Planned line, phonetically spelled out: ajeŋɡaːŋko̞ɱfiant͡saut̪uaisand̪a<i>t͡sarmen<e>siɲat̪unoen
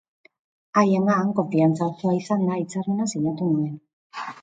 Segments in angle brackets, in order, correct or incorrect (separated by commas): correct, incorrect